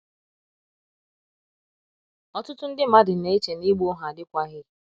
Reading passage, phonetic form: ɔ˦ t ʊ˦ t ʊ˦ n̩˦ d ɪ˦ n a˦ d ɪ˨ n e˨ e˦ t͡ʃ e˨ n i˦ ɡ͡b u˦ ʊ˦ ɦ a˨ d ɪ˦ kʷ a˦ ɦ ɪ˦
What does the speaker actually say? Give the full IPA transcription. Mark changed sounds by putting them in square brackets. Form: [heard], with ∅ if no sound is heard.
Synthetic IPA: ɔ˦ t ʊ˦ t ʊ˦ n̩˦ d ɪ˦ [m] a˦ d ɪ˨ n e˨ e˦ t͡ʃ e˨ n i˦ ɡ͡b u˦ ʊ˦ ɦ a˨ d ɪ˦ kʷ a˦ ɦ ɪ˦